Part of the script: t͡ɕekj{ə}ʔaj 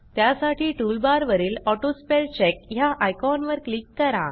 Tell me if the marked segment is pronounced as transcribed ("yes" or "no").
no